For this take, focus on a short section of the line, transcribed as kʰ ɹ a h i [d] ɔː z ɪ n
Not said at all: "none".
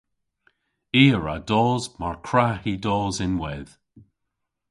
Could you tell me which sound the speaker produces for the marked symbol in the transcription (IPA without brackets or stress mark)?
d